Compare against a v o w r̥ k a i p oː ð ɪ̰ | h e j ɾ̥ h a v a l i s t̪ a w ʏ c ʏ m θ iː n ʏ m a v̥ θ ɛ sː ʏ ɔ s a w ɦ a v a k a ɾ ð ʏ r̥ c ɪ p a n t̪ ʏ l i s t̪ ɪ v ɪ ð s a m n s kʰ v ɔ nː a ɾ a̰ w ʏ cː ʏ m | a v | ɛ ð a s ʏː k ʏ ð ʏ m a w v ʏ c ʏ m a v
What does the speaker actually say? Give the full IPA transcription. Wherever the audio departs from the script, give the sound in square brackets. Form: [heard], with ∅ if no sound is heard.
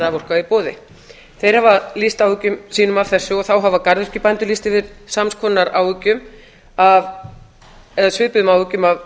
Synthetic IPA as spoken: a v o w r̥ k a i p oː ð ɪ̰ | [θ] e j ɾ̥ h a v a l i s t̪ a w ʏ c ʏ m [s] iː n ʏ m a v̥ θ ɛ sː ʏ ɔ [θ] a w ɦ a v a k a ɾ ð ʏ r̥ c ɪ p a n t̪ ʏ l i s t̪ ɪ v ɪ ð s a m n s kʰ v ɔ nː a ɾ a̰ w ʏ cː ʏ m | a v | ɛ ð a s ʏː [p] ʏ ð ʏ m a w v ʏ c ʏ m a v